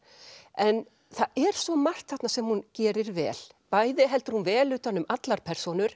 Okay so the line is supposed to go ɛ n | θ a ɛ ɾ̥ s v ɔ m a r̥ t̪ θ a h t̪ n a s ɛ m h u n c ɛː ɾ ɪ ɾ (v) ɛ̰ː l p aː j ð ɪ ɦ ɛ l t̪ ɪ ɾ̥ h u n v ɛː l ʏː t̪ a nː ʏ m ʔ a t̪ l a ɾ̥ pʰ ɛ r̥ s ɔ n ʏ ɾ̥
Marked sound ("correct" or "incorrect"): correct